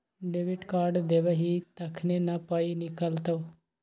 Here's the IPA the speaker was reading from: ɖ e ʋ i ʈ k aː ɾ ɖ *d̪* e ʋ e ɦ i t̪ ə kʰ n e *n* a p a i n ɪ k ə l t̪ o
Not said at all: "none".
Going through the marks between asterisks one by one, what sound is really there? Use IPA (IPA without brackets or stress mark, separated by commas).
d̪, n